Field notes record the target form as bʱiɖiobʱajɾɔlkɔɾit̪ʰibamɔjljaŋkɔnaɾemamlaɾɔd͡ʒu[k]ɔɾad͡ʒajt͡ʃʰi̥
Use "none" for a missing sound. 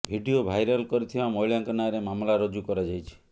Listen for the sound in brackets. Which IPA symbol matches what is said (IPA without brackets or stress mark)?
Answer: k